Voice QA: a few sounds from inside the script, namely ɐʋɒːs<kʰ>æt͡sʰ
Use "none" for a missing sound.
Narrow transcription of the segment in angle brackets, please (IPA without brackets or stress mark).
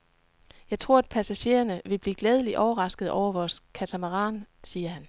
kʰ